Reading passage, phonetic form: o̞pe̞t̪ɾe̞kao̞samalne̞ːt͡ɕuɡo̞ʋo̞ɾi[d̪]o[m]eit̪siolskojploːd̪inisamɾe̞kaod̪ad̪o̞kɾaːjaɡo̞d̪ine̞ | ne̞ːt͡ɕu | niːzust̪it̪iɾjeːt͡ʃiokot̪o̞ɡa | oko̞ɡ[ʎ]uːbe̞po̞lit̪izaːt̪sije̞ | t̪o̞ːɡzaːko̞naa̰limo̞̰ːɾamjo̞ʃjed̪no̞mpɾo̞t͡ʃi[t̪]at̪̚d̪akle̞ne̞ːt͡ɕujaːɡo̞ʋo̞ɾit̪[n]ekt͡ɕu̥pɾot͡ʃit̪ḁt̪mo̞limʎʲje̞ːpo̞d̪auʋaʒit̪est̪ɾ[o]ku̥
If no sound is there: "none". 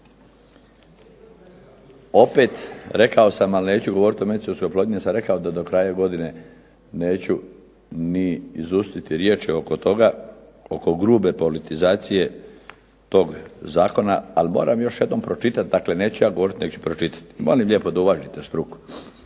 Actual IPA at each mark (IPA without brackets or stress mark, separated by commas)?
t̪, m, ɾ, t̪, n, u